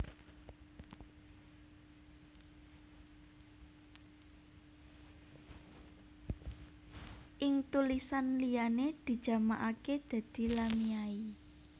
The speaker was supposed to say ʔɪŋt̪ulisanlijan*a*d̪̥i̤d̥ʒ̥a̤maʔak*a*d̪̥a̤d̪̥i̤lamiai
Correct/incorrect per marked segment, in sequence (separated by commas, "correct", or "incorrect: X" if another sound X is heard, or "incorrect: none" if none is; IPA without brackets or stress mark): incorrect: e, incorrect: e